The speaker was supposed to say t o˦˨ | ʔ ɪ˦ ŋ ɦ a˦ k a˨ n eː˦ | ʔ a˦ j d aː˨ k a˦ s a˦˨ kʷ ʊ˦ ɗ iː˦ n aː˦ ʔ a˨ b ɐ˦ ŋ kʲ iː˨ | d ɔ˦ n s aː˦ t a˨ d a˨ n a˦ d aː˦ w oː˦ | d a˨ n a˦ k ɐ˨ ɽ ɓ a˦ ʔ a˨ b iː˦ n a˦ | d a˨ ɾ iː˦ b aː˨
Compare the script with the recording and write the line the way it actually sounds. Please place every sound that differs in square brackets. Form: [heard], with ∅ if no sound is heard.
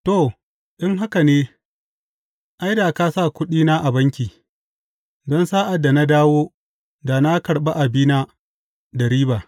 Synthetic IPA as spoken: t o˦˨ | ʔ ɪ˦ ŋ ɦ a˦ k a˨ n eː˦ | ʔ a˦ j d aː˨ k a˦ s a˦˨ kʷ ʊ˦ ɗ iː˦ n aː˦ ʔ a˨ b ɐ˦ ŋ kʲ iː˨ | d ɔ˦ n s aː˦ [ʔ] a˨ d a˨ n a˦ d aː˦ w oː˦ | d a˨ n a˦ k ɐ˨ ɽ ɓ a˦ ʔ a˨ b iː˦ n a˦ | d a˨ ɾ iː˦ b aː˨